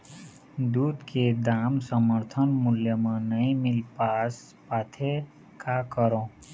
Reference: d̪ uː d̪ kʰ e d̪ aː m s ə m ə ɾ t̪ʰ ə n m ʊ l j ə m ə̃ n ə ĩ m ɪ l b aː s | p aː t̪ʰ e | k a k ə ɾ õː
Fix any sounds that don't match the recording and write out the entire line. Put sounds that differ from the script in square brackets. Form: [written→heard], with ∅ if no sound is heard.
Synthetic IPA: d̪ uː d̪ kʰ e d̪ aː m s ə m ə ɾ t̪ʰ ə n m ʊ l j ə m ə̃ n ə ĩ m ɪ l [b→p] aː s | p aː t̪ʰ e | k a k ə ɾ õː